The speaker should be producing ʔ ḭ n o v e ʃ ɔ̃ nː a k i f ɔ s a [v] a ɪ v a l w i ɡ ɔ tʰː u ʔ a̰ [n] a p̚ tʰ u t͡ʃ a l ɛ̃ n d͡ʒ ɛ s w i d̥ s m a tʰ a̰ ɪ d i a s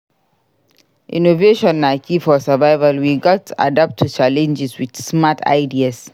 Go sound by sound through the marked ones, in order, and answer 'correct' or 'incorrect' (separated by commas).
correct, incorrect